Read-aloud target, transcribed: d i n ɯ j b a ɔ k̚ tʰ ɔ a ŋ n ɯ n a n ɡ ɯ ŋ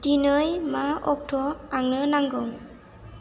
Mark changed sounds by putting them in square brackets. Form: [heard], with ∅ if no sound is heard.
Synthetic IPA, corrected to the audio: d i n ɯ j [m] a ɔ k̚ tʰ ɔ a ŋ n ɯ n a [ŋ] ɡ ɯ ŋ